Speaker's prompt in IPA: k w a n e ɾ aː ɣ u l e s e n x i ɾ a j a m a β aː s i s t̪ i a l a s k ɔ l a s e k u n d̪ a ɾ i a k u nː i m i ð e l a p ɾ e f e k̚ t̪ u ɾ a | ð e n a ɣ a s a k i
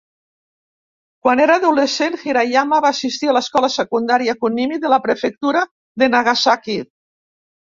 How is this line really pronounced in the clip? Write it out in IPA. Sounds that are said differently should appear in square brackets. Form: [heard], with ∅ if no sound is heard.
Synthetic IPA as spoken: k w a n e ɾ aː [ð] u l e s e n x i ɾ a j a m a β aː s i s t̪ i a l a s k ɔ l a s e k u n d̪ a ɾ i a k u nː i m i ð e l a p ɾ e f e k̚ t̪ u ɾ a | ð e n a ɣ a s a k i

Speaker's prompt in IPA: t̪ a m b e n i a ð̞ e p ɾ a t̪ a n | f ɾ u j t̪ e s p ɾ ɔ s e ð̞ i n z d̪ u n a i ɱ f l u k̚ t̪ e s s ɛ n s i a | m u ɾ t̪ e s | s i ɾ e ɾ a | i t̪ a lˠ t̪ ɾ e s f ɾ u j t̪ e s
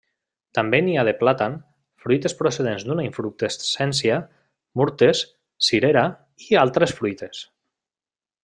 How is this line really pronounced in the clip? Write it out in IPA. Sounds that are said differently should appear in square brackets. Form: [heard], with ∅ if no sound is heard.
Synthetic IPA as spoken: t̪ a m b e n i a ð̞ e p [l] a t̪ a n | f ɾ u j t̪ e s p ɾ [o] s e ð̞ [e] n z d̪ u n a i ɱ f [ɾ] u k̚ t̪ e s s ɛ n s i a | m u ɾ t̪ e s | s i ɾ e ɾ a | i [∅] a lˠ t̪ ɾ e s f ɾ u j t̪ e s

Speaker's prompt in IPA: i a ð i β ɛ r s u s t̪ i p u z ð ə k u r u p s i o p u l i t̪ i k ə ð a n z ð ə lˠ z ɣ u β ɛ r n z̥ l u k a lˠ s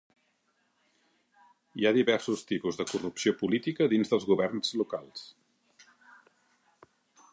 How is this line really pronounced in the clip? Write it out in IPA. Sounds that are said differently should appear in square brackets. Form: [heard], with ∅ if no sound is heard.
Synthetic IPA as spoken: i a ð i β ɛ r s u s t̪ i p u z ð ə k u r u p s i o p u l i t̪ i k ə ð [i] n z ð ə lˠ z ɣ u β ɛ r n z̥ l u k a lˠ s

